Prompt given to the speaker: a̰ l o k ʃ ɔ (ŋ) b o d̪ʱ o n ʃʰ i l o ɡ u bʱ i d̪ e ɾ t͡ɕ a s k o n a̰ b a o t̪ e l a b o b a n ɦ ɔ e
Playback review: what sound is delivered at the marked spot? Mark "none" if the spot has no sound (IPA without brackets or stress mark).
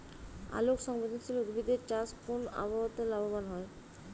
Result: ŋ